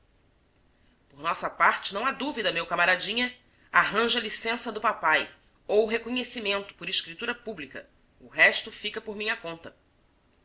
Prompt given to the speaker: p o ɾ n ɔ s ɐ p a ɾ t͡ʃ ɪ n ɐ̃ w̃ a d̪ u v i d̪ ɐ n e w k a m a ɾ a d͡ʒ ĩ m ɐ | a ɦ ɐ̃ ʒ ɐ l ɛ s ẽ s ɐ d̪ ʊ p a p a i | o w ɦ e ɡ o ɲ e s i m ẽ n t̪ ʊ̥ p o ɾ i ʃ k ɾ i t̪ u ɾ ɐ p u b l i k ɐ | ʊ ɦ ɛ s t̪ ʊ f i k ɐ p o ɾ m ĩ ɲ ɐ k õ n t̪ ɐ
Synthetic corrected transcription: p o ɾ n ɔ s ɐ p a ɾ t͡ʃ ɪ n ɐ̃ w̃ a d̪ u v i d̪ ɐ m e w k a m a ɾ a d͡ʒ ĩ ɲ ɐ | a ɦ ɐ̃ ʒ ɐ l i s ẽ s ɐ d̪ ʊ p a p a j | o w ɦ e k o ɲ e s i m ẽ n t̪ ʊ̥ p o ɾ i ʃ k ɾ i t̪ u ɾ ɐ p u b l i k ɐ | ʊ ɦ ɛ ʃ t̪ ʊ f i k ɐ p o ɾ m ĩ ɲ ɐ k õ n t̪ ɐ

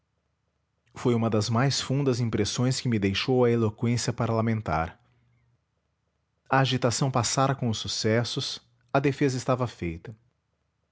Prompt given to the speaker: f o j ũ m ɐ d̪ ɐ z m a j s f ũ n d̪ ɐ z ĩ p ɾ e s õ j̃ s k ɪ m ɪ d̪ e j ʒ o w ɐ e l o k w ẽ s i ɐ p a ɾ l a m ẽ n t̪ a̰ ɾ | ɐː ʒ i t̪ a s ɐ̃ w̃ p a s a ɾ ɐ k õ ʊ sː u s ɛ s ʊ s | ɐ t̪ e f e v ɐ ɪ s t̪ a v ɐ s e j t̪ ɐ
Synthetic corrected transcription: f o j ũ m ɐ d̪ ɐ z m a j s f ũ n d̪ ɐ z ĩ p ɾ e s õ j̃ s k ɪ m ɪ d̪ e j ʃ o w ɐ e l o k w ẽ s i ɐ p a ɾ l a m ẽ n t̪ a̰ ɾ | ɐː ʒ i t̪ a s ɐ̃ w̃ p a s a ɾ ɐ k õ ʊ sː u s ɛ s ʊ s | ɐ d̪ e f e z ɐ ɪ s t̪ a v ɐ f e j t̪ ɐ

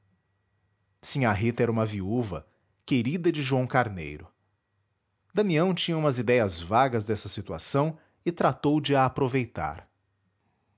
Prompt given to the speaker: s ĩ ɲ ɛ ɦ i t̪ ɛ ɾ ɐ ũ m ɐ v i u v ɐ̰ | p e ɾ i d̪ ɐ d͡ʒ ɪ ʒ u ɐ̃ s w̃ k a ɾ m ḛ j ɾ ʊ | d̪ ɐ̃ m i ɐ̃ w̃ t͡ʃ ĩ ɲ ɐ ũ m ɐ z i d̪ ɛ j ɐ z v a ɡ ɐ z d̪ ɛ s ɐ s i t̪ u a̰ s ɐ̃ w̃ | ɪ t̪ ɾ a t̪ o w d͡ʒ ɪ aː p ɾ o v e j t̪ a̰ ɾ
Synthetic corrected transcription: s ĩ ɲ a ɦ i t̪ ɛ ɾ ɐ ũ m ɐ v i u v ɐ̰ | k e ɾ i d̪ ɐ d͡ʒ ɪ ʒ u ɐ̃ w̃ k a ɾ n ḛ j ɾ ʊ | d̪ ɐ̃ m i ɐ̃ w̃ t͡ʃ ĩ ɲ ɐ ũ m ɐ z i d̪ ɛ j ɐ z v a ɡ ɐ z d̪ ɛ s ɐ s i t̪ u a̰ s ɐ̃ w̃ | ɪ t̪ ɾ a t̪ o w d͡ʒ ɪ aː p ɾ o v e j t̪ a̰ ɾ

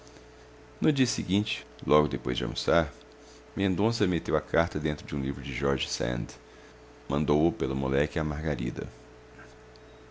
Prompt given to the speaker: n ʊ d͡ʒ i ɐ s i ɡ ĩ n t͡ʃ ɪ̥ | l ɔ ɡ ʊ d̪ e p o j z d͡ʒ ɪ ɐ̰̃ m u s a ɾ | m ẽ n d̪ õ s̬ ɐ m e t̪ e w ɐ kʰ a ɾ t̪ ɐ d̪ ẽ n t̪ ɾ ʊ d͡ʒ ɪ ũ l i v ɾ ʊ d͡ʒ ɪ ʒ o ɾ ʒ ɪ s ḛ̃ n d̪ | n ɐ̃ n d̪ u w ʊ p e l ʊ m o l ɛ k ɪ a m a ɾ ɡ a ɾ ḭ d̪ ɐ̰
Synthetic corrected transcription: n ʊ d͡ʒ i ɐ s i ɡ ĩ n t͡ʃ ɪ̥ | l ɔ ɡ ʊ d̪ e p o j z d͡ʒ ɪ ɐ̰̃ m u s a ɾ | m ẽ n d̪ õ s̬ ɐ m e t̪ e w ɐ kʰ a ɾ t̪ ɐ d̪ ẽ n t̪ ɾ ʊ d͡ʒ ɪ ũ l i v ɾ ʊ d͡ʒ ɪ ʒ ɔ ɾ ʒ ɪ s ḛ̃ n d̪ | m ɐ̃ n d̪ o w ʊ p e l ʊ m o l ɛ k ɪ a m a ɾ ɡ a ɾ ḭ d̪ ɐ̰

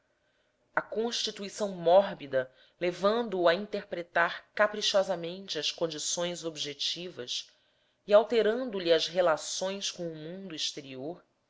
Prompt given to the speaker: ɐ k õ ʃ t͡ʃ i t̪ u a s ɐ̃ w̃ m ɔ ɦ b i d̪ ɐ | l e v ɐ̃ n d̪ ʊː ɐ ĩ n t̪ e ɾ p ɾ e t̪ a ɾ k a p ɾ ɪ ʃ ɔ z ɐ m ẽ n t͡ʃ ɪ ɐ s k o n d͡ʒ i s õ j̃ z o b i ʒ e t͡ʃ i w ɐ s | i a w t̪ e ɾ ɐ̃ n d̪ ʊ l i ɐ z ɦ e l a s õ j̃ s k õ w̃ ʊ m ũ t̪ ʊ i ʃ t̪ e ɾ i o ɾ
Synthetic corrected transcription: ɐ k õ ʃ t͡ʃ i t̪ u i s ɐ̃ w̃ m ɔ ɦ b i d̪ ɐ | l e v ɐ̃ n d̪ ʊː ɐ ĩ n t̪ e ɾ p ɾ e t̪ a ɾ k a p ɾ i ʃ ɔ z ɐ m ẽ n t͡ʃ ɪ ɐ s k õ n d͡ʒ i s õ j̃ z o b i ʒ e t͡ʃ i v ɐ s | i a w t̪ e ɾ ɐ̃ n d̪ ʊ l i ɐ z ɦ e l a s õ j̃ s k õ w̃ ʊ m ũ d̪ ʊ i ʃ t̪ e ɾ i o ɾ

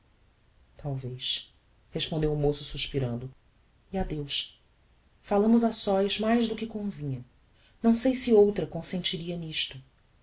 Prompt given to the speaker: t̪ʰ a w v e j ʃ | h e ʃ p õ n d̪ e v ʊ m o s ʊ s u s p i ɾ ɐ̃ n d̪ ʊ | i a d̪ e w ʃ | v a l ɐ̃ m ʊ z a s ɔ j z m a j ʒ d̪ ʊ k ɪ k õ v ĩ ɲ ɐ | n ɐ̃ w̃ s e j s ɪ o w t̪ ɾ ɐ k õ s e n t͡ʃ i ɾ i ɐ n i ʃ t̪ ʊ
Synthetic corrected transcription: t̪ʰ a w v e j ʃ | h e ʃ p õ n d̪ e w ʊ m o s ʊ s u ʃ p i ɾ ɐ̃ n d̪ ʊ | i a d̪ e w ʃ | f a l ɐ̃ m ʊ z a s ɔ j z m a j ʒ d̪ ʊ k ɪ k õ v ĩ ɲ ɐ | n ɐ̃ w̃ s e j s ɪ o w t̪ ɾ ɐ k õ s ẽ n t͡ʃ i ɾ i ɐ n i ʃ t̪ ʊ

